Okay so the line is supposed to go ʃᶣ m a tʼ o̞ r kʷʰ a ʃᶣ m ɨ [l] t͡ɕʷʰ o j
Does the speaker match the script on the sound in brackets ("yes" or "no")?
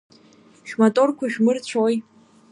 no